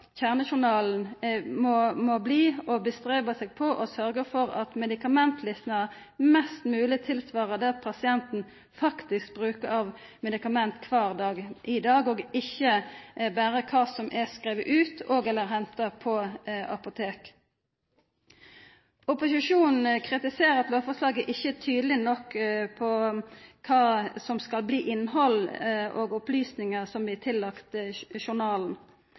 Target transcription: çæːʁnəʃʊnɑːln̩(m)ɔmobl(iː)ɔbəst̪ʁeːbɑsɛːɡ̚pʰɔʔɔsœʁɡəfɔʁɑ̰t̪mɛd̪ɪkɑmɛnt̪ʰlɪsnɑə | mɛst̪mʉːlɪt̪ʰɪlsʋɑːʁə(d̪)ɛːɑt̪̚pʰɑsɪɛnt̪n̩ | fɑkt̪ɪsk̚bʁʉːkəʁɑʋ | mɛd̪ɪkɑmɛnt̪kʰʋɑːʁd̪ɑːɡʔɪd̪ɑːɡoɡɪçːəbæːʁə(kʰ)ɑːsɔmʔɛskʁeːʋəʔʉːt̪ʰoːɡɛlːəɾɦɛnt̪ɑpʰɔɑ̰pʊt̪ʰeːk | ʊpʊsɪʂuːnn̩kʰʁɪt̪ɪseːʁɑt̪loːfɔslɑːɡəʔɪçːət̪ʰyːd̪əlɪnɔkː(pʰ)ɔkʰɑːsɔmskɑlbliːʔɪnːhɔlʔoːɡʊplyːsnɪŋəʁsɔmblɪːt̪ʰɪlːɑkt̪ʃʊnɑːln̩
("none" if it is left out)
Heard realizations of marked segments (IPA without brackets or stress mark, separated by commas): m, iː, d̪, kʰ, pʰ